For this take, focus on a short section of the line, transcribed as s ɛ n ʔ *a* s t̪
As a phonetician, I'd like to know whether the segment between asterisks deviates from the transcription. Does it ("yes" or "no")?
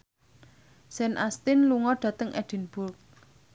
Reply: no